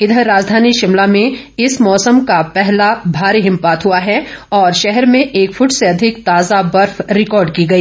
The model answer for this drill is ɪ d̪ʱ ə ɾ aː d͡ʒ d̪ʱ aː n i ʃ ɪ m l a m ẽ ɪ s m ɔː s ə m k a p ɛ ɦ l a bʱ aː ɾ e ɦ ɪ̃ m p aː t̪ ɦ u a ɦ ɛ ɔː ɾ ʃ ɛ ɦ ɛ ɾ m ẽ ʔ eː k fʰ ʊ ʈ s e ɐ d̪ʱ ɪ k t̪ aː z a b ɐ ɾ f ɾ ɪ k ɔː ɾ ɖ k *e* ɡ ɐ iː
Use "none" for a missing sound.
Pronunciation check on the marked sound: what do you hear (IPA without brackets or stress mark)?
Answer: i